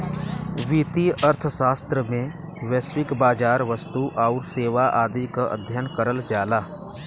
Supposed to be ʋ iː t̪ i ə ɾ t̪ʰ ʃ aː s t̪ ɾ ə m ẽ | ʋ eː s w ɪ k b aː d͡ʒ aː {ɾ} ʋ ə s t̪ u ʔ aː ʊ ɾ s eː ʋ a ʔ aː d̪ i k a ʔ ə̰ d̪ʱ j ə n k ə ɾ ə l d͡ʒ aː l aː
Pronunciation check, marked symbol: correct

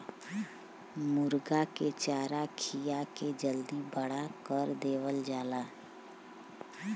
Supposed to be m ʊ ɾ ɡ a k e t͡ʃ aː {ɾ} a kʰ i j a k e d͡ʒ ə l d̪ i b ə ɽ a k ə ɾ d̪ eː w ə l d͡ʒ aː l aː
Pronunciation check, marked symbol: correct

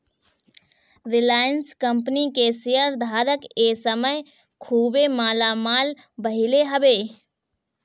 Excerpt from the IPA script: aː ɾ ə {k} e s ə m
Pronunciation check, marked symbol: correct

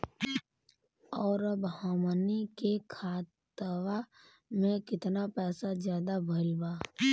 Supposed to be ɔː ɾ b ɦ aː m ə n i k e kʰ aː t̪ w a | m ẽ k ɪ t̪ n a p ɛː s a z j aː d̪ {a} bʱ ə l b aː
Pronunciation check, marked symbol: correct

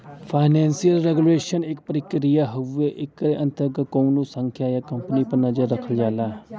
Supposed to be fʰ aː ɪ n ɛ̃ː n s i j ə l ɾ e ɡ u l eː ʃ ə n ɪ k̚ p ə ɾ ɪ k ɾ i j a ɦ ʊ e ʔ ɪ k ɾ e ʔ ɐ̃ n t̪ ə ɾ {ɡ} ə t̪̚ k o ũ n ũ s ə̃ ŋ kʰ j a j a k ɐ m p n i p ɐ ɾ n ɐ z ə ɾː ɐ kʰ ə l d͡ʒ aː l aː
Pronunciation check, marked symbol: correct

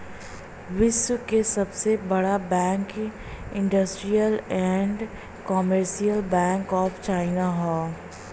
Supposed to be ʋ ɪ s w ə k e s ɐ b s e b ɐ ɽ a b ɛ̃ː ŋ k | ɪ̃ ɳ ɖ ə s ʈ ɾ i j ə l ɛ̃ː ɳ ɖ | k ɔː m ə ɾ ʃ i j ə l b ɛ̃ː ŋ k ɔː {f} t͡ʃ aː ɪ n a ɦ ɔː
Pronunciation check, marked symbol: correct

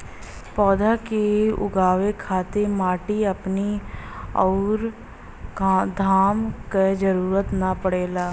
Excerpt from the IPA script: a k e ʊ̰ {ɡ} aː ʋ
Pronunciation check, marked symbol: correct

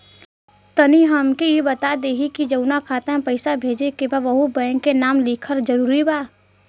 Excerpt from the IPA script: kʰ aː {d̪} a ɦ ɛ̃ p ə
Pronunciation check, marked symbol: incorrect: t̪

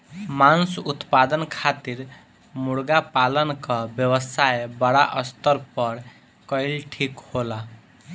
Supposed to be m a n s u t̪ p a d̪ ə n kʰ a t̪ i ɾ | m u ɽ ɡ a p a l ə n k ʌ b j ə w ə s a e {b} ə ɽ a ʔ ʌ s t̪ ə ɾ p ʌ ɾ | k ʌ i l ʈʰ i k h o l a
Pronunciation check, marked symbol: correct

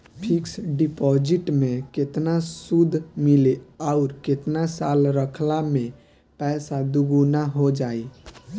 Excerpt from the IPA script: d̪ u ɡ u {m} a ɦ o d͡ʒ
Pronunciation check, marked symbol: incorrect: n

